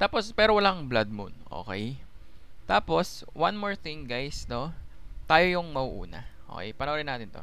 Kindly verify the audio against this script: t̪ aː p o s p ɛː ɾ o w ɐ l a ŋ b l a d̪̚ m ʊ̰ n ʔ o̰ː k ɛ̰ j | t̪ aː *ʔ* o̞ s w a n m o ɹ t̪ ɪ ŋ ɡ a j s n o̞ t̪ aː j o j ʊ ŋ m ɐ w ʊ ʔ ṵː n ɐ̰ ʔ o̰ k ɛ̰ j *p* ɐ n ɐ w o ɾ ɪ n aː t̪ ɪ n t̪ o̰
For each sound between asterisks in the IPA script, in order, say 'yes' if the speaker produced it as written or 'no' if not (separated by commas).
no, yes